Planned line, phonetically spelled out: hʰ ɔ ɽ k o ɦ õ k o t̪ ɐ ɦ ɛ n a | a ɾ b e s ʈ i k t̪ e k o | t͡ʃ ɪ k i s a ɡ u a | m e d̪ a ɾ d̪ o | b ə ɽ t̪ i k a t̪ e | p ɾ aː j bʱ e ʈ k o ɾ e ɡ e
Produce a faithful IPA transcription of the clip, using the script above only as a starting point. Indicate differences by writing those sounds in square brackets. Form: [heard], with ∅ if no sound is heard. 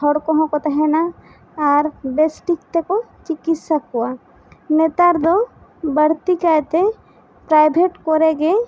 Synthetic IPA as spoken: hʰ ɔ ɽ k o ɦ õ k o t̪ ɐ ɦ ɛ n a | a ɾ b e s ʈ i k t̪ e k o | t͡ʃ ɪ k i s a [k] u a | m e [t̪] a ɾ d̪ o | b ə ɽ t̪ i k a t̪ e | p ɾ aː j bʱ e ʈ k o ɾ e ɡ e